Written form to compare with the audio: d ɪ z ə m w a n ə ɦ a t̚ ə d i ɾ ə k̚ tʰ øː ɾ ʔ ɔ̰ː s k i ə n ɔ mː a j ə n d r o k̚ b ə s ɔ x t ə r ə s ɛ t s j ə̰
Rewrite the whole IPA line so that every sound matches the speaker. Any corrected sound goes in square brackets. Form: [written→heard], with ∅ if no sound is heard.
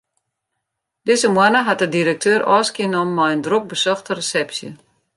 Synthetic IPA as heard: d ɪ z ə m w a n ə ɦ a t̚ ə d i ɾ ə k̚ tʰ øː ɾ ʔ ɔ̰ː s k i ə n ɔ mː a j ə n d r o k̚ b ə s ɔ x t ə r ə s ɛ [t→p] s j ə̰